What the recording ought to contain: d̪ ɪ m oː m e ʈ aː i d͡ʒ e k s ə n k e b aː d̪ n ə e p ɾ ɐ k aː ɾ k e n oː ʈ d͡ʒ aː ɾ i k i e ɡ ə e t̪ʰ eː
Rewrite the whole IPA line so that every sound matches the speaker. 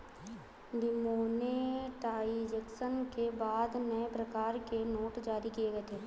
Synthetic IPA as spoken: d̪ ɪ m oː n e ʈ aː i d͡ʒ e k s ə n k e b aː d̪ n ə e p ɾ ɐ k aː ɾ k e n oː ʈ d͡ʒ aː ɾ i k i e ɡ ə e t̪ʰ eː